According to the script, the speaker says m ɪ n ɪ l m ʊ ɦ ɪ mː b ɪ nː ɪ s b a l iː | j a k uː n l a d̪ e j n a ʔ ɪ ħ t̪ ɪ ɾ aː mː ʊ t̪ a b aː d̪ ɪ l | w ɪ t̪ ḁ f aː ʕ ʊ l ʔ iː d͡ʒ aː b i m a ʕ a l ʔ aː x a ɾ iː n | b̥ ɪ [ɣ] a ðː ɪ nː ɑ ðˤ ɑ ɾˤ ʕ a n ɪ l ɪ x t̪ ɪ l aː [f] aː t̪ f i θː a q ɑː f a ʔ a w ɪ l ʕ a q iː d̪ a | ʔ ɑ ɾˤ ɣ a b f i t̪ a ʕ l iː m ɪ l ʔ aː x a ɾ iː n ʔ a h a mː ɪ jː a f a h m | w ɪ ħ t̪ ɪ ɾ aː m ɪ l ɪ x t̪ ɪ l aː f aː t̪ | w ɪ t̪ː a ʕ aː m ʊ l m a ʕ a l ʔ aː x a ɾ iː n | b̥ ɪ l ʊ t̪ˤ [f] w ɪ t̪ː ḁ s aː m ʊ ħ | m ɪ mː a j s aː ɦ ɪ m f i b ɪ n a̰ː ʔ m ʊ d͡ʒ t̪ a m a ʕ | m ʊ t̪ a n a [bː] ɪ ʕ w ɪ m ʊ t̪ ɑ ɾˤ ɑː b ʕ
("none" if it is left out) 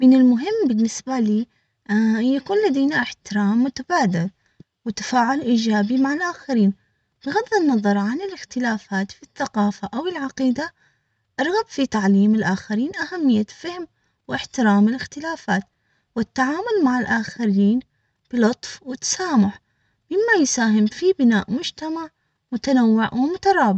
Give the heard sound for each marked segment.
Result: ɣ, f, f, wː

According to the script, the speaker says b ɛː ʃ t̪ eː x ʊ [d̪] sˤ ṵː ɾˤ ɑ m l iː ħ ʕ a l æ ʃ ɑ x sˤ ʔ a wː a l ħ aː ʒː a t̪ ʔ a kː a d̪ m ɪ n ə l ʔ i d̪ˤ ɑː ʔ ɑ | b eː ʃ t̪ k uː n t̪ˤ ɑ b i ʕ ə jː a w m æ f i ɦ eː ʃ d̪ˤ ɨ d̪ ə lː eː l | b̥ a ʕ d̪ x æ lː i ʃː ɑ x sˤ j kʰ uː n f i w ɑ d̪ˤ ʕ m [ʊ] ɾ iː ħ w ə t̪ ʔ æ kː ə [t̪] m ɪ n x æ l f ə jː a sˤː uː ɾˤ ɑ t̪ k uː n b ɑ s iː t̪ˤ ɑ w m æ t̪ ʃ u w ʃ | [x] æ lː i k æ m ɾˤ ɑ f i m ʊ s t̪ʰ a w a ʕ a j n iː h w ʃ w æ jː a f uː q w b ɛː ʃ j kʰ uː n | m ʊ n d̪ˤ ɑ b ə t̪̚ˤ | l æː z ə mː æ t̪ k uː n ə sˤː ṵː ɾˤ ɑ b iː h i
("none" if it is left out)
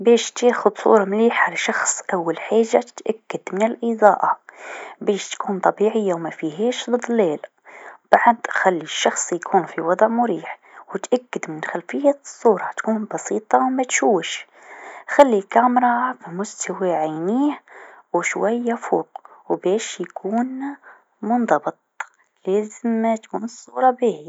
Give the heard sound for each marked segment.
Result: d̪, ʊ, d̪, x

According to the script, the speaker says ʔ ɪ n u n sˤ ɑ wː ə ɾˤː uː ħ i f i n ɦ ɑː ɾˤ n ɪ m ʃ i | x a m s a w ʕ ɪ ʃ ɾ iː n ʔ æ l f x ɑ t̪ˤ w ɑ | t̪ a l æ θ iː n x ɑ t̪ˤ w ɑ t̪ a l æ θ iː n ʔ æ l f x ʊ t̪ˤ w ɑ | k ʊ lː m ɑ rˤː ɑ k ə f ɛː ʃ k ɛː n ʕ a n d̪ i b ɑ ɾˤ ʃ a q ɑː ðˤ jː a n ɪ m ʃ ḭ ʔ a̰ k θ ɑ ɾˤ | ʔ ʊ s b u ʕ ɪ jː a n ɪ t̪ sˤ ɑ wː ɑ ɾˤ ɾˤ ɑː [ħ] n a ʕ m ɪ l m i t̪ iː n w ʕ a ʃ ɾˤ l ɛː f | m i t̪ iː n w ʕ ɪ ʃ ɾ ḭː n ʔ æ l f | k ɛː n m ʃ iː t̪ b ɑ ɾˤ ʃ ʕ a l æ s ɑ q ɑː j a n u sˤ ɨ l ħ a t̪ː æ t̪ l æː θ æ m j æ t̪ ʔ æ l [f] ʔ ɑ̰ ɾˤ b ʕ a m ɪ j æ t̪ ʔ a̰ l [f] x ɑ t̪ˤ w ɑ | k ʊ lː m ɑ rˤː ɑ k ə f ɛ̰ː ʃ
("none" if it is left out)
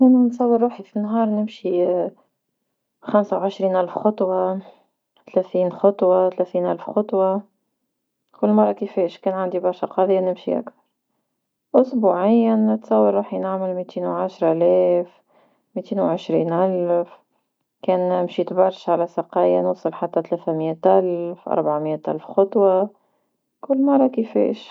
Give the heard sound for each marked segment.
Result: ħ, f, f

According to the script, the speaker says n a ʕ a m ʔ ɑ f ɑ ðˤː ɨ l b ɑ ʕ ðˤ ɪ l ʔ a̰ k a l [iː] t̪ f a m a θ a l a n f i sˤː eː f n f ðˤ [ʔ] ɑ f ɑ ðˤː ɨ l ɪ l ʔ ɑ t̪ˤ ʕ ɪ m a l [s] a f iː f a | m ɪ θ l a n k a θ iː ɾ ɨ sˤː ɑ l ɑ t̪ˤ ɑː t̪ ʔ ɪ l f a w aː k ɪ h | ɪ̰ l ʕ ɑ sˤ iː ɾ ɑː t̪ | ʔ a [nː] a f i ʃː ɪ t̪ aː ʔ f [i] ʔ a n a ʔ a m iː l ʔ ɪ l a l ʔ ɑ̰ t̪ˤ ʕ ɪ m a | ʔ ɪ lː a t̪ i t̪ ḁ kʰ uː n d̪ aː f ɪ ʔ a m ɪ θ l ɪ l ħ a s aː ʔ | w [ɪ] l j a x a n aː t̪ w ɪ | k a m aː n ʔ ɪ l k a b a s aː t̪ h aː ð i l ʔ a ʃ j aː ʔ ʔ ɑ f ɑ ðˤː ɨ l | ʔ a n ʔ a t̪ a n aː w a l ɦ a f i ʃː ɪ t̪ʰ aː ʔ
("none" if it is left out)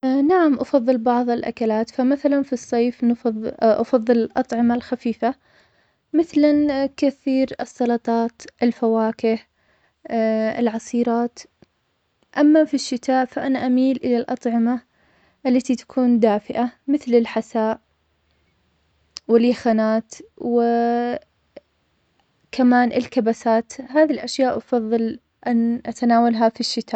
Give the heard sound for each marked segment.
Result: aː, ʔ, x, mː, a, ɪ

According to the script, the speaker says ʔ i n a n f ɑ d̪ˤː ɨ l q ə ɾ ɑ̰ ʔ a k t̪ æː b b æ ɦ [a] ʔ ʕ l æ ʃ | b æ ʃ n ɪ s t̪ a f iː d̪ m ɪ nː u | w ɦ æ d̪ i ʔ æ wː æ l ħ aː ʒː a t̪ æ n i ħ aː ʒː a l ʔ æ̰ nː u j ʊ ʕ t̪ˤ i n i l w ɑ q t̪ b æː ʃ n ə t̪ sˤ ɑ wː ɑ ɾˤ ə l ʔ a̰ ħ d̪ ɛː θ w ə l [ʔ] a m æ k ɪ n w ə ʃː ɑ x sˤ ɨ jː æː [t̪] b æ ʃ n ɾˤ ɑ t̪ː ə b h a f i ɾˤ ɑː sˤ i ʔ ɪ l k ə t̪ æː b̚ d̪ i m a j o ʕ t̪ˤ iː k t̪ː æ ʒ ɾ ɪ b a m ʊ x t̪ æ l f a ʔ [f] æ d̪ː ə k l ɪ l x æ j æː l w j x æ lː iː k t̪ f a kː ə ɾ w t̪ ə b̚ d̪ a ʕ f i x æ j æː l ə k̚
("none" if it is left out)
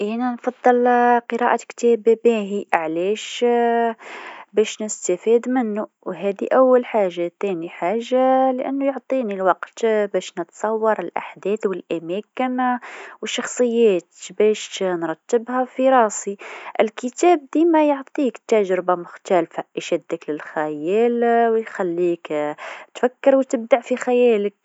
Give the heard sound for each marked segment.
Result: i, ʔ, t̪, ʃ

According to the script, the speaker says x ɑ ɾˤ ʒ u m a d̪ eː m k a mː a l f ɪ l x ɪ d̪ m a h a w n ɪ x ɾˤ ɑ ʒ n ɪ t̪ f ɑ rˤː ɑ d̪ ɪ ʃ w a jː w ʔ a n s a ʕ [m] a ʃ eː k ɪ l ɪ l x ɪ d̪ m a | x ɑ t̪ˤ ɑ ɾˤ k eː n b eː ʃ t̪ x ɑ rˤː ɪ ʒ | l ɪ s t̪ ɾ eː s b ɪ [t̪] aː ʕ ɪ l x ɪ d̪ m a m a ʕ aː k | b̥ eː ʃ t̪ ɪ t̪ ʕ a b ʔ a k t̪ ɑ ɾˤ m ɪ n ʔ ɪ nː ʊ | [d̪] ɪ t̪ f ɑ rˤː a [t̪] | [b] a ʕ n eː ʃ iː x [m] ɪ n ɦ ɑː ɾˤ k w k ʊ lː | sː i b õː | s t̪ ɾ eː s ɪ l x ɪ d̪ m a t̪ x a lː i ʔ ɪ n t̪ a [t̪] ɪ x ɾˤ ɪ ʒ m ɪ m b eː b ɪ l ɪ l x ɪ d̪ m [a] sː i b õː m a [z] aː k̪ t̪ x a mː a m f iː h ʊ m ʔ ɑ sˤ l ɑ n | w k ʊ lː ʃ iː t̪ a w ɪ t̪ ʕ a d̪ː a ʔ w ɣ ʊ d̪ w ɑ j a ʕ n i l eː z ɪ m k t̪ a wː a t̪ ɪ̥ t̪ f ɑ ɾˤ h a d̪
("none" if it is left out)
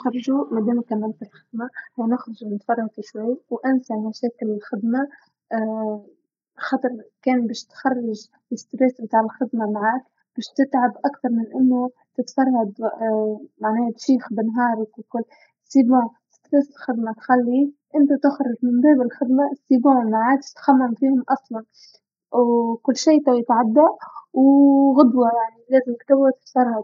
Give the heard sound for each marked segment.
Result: m, t̪, t̪, d̪, m, b, t̪, a, ʕ

